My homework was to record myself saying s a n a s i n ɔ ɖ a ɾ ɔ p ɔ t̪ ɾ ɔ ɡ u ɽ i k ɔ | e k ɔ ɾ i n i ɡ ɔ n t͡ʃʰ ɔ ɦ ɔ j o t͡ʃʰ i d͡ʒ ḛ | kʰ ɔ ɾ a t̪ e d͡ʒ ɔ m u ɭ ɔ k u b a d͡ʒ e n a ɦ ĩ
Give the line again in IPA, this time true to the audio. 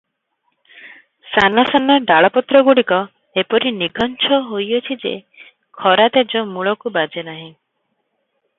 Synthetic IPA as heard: s a n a s a n ɔ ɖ a ɭ ɔ p ɔ t̪ ɾ ɔ ɡ u ɽ i k ɔ | e p ɔ ɾ i n i ɡ ɔ n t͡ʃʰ ɔ ɦ o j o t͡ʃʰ i d͡ʒ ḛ | kʰ ɔ ɾ a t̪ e d͡ʒ ɔ m u ɭ ɔ k u b a d͡ʒ e n a ɦ ĩ